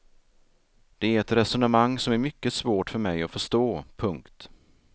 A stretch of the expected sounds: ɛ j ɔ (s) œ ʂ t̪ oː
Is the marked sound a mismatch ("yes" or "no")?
yes